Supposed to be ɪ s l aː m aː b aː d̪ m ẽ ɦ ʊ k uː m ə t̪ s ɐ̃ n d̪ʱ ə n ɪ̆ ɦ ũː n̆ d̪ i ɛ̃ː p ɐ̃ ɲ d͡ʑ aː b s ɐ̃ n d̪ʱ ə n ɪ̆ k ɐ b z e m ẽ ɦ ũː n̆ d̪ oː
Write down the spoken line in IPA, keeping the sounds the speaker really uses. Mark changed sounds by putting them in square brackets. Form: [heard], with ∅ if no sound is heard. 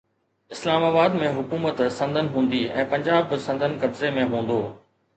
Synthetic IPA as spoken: ɪ s l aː m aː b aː d̪ m ẽ ɦ ʊ k uː m ə t̪ s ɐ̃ n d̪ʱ ə n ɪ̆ ɦ ũː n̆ d̪ i ɛ̃ː p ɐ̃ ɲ d͡ʑ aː b s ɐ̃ n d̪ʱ ə n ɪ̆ k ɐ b z e m ẽ ɦ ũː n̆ d̪ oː